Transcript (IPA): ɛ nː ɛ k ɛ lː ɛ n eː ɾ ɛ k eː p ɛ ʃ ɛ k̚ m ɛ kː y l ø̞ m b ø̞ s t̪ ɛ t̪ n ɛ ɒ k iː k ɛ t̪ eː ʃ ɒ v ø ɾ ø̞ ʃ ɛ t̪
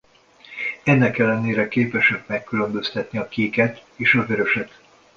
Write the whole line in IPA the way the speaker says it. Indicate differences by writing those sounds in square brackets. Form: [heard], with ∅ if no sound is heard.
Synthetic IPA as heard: ɛ nː ɛ k ɛ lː ɛ n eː ɾ ɛ k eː p ɛ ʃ ɛ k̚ m ɛ kː y l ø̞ m b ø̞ s t̪ ɛ t̪ n [i] ɒ k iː k ɛ t̪ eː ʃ ɒ v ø ɾ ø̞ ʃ ɛ t̪